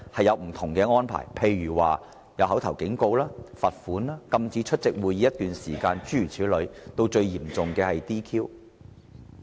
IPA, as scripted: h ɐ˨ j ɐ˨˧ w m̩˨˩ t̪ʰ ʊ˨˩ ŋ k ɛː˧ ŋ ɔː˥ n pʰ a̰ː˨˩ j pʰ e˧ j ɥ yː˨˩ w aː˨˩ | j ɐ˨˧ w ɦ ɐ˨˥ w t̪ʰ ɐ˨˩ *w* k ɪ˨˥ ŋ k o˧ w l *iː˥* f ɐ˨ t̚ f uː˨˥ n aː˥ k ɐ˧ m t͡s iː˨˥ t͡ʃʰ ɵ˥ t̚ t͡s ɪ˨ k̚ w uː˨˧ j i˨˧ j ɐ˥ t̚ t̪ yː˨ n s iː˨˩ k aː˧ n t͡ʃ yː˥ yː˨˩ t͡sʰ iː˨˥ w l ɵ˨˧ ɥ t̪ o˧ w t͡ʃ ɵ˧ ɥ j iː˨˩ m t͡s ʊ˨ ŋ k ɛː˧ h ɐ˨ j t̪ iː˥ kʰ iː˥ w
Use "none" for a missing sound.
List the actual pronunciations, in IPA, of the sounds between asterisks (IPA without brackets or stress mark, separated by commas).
w, aː˥